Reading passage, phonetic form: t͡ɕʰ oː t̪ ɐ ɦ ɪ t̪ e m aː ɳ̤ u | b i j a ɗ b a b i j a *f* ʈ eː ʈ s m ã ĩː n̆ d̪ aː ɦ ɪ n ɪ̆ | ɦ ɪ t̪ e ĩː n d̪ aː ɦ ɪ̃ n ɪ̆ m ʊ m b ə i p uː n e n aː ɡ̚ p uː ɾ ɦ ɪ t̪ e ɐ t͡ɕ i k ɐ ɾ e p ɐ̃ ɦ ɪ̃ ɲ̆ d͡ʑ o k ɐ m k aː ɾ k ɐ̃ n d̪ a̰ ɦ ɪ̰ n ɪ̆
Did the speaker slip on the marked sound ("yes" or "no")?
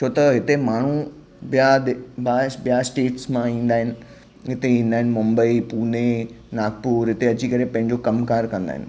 yes